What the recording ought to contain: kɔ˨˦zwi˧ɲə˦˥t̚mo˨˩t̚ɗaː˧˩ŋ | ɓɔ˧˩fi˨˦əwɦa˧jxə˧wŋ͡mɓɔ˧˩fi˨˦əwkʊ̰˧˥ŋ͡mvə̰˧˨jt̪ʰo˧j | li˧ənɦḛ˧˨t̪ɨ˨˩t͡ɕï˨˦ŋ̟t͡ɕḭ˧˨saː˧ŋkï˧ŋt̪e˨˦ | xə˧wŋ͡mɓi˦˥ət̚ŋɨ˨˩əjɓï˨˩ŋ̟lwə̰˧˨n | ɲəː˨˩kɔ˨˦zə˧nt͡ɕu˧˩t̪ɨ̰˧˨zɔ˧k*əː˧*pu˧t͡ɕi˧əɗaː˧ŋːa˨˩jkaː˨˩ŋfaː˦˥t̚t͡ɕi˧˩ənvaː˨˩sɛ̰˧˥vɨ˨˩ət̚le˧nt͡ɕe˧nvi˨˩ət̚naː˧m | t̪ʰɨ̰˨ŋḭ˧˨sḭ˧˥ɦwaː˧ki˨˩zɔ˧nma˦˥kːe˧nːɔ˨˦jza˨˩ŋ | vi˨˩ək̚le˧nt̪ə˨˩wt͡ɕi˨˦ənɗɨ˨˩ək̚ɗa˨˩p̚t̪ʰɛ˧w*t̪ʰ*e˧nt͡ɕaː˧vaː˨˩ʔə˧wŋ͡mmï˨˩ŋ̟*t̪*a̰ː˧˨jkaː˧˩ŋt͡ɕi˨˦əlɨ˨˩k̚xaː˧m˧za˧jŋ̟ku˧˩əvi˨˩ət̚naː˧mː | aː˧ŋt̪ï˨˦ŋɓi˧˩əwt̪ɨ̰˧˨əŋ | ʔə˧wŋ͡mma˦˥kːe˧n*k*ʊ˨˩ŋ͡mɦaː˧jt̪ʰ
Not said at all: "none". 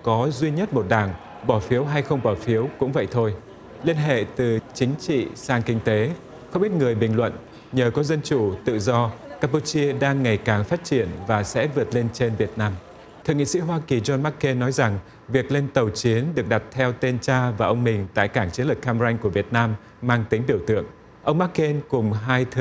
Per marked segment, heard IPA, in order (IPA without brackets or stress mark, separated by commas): aː˧, t̪, t̪, k